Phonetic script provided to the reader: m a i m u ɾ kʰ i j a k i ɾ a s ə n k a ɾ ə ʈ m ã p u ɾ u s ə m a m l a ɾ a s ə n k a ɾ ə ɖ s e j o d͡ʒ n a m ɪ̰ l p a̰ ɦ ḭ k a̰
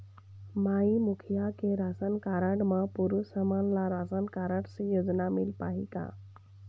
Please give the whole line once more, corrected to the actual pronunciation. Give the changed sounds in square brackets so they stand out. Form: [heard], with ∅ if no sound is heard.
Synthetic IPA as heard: m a i m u [∅] kʰ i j a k [e] ɾ a s ə n k a ɾ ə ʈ m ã p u ɾ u s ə m a [n] l a ɾ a s ə n k a ɾ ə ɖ s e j o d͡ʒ n a m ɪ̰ l p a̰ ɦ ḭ k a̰